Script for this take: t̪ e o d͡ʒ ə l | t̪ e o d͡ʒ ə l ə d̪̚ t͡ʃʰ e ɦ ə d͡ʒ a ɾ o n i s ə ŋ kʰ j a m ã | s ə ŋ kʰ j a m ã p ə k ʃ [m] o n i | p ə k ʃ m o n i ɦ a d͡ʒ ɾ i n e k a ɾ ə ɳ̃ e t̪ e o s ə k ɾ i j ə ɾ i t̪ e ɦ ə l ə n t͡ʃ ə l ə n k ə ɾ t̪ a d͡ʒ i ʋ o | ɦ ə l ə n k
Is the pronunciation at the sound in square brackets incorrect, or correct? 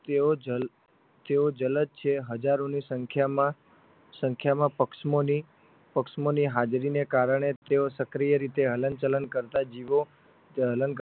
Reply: correct